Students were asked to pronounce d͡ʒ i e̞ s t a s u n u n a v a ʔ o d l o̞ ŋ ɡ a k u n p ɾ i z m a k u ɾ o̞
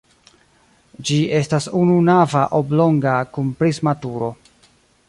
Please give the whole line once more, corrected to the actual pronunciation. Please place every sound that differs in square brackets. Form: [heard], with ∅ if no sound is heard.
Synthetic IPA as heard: d͡ʒ i e̞ s t a s u n u n a v a ʔ o [b] l o̞ ŋ ɡ a k u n p ɾ i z m a [t] u ɾ o̞